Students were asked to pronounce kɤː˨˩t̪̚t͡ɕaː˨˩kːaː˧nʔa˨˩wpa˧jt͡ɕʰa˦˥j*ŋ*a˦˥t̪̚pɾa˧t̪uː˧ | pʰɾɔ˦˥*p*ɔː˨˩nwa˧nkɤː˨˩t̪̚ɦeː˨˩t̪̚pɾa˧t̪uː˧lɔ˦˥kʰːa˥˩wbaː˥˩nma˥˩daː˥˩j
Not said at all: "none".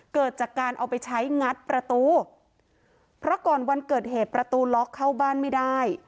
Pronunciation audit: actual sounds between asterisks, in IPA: ŋ, k

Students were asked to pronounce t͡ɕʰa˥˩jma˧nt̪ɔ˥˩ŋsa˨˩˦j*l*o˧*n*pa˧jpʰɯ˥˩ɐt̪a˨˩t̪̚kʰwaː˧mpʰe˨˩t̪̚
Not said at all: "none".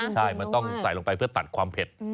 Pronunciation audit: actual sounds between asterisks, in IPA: l, ŋ

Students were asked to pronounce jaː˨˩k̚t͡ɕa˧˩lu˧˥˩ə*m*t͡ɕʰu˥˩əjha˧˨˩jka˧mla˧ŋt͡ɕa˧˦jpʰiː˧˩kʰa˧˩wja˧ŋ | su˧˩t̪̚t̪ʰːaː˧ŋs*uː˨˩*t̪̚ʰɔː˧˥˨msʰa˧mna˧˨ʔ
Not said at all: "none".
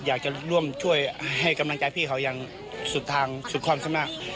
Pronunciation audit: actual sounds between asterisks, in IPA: m, u˨˩

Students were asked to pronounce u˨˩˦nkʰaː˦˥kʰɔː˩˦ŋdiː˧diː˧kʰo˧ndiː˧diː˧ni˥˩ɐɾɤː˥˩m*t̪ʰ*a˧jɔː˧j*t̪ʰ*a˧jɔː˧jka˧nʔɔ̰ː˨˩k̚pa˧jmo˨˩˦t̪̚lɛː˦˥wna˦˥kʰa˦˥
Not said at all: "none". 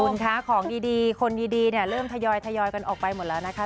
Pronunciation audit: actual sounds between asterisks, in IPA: t̪ʰ, t̪ʰ

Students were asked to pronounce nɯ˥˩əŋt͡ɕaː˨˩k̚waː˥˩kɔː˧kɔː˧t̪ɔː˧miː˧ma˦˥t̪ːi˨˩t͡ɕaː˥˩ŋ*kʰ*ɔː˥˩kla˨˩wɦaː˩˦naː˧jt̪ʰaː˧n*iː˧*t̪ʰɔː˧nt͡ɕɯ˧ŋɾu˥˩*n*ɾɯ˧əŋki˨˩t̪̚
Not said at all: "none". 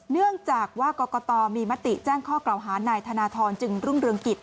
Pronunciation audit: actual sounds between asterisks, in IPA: kʰ, aː˧, ŋ

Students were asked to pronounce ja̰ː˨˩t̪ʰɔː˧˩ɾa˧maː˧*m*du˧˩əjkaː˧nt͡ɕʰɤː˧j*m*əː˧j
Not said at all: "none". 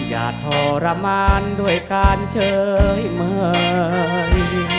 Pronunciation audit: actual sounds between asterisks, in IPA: n, m

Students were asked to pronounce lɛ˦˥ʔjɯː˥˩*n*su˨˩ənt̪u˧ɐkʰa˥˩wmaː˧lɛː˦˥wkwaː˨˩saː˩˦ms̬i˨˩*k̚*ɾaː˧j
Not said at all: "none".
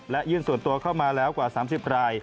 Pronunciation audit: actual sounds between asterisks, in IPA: n, p̚

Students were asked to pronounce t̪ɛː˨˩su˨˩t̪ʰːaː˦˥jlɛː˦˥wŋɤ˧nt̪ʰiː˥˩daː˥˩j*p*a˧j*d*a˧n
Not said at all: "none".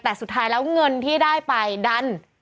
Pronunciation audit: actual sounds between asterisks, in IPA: p, d

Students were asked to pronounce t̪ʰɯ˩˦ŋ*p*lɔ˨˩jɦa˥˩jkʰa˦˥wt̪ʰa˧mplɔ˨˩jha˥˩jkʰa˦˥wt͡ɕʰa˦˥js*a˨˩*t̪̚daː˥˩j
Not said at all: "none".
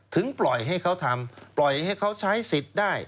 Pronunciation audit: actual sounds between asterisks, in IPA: p, i˨˩

